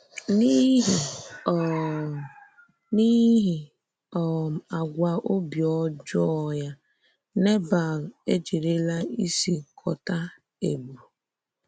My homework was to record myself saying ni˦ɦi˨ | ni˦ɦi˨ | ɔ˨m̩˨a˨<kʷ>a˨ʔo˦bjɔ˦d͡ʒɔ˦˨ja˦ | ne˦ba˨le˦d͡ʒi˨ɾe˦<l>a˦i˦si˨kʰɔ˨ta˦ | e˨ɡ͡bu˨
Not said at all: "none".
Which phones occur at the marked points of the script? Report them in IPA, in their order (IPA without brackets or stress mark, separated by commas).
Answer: ɡʷ, l